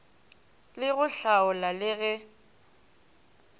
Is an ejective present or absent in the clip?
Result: absent